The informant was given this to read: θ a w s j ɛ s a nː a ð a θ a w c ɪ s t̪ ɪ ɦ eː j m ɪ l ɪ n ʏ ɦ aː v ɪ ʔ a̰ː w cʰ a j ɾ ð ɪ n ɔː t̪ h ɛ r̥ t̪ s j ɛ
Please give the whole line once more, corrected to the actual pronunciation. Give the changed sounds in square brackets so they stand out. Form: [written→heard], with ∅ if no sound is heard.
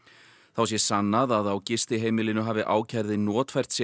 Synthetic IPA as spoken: θ a w s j ɛ s a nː a ð a [θ→ð] a w c ɪ s t̪ ɪ ɦ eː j m ɪ l ɪ n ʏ ɦ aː v ɪ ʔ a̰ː w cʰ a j ɾ ð ɪ n ɔː t̪ [h→f] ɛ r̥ t̪ s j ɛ